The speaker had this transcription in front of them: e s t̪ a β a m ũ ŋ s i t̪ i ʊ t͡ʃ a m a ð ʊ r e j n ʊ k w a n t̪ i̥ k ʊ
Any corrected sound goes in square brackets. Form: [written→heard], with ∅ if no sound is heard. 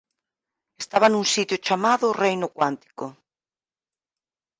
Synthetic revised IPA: e s t̪ a β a [m→n] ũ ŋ s i t̪ [i→j] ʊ t͡ʃ a m a ð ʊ r e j n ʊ k w a n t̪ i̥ k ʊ